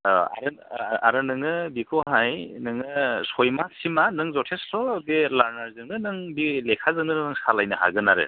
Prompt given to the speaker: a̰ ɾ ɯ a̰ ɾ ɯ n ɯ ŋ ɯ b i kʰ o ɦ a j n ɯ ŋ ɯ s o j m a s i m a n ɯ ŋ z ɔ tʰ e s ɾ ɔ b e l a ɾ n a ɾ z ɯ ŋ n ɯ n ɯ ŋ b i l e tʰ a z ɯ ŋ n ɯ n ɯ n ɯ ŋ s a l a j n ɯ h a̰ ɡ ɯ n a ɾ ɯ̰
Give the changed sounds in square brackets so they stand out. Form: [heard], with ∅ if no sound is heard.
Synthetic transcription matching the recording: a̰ ɾ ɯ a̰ ɾ ɯ n ɯ ŋ ɯ b i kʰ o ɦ a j n ɯ ŋ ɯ s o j m a s i m a n ɯ ŋ z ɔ tʰ e s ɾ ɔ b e l a ɾ n a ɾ z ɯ ŋ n ɯ n ɯ ŋ b i l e [kʰ] a z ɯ ŋ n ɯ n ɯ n ɯ ŋ s a l a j n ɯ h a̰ ɡ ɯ n a ɾ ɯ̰